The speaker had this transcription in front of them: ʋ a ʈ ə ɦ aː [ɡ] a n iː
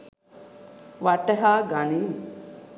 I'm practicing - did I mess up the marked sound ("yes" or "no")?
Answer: no